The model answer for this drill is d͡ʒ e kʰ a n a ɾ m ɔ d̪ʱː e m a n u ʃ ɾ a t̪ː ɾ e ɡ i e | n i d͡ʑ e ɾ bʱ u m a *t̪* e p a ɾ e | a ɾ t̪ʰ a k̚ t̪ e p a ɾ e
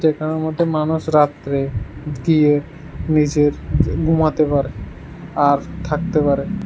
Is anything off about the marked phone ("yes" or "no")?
no